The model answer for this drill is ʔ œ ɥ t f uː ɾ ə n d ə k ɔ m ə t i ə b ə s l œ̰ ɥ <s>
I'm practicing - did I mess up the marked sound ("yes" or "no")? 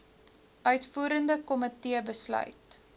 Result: yes